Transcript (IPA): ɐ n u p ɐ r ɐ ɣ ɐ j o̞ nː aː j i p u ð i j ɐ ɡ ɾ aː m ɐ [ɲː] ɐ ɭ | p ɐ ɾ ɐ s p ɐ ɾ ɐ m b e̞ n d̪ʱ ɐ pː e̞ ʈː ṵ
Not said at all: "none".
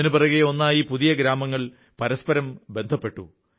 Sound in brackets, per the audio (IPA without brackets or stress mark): ŋː